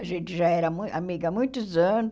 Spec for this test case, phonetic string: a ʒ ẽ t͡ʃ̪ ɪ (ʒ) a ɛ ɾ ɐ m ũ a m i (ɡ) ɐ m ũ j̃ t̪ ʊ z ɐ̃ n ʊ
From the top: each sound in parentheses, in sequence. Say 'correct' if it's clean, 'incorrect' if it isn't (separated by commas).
correct, correct